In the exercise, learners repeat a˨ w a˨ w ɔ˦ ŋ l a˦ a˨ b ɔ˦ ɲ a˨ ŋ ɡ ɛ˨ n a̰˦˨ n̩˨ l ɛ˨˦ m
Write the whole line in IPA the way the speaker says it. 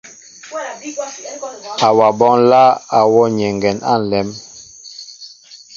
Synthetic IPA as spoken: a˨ w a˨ b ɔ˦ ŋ l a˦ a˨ w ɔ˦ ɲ ɛ˨ ŋ ɡ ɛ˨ n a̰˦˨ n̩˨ l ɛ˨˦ m